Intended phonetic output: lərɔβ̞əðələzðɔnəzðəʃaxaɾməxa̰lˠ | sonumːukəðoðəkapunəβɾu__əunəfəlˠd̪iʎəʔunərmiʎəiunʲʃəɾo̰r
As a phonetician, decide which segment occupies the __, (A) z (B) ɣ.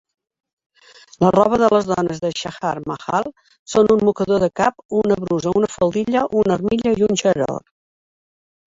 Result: A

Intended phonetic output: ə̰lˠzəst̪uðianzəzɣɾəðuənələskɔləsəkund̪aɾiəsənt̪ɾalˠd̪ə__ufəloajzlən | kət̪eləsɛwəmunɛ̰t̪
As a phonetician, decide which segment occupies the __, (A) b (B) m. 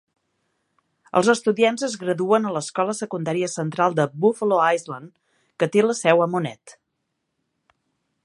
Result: A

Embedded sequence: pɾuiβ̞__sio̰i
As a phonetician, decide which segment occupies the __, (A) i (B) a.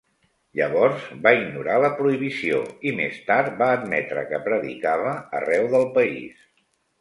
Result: A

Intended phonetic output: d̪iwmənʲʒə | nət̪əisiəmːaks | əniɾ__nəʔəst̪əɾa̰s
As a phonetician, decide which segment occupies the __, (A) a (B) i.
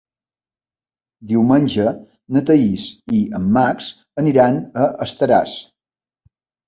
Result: A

